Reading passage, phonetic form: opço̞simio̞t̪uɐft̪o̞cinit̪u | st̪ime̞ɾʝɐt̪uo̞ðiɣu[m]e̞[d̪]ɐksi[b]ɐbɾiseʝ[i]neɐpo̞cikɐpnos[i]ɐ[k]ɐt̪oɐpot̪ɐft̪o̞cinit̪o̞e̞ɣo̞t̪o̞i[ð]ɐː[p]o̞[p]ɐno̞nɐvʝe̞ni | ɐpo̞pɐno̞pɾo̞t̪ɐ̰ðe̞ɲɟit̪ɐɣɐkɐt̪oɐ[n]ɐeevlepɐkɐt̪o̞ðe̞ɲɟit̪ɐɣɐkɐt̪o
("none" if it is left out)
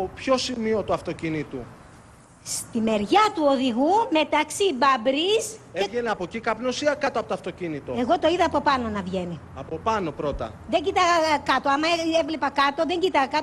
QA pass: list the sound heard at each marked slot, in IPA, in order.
m, t̪, b, e, i, k, ð, p, p, m

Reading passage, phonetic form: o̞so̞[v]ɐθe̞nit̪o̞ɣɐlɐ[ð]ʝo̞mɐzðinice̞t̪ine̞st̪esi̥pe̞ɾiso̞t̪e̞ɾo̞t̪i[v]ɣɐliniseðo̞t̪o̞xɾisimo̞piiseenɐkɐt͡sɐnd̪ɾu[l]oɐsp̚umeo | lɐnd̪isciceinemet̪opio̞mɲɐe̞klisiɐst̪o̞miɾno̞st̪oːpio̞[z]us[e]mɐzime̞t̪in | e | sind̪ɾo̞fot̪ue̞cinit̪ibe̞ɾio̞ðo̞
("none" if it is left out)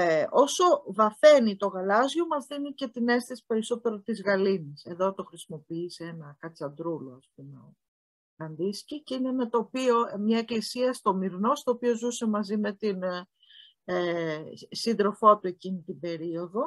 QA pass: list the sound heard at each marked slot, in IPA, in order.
v, z, z, l, z, e

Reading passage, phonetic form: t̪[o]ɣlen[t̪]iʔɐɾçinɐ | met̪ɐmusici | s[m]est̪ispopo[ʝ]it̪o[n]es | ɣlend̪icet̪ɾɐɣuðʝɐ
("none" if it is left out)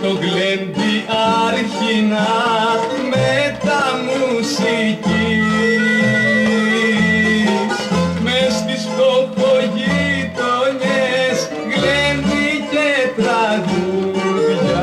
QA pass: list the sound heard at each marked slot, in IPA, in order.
o, d̪, m, ʝ, ɲ

